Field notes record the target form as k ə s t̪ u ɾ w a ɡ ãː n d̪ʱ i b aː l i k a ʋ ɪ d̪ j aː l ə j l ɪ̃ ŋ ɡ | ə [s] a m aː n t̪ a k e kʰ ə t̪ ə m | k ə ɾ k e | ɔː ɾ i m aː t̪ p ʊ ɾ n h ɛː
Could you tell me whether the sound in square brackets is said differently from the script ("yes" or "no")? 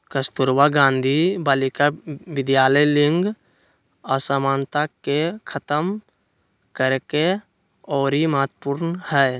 no